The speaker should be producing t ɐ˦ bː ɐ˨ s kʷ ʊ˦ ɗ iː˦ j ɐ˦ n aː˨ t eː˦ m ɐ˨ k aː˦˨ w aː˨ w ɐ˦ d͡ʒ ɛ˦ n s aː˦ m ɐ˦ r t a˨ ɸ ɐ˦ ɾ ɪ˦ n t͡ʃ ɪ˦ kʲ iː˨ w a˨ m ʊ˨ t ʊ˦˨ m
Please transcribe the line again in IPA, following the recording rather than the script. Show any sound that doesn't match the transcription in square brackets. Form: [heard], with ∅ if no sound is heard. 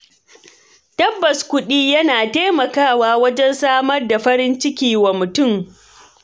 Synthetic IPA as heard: t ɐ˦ bː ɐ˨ s kʷ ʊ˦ ɗ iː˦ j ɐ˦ n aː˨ t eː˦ m ɐ˨ k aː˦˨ w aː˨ w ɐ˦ d͡ʒ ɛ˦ n s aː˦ m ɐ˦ r [d] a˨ ɸ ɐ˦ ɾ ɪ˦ n t͡ʃ ɪ˦ kʲ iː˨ w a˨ m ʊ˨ t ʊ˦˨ m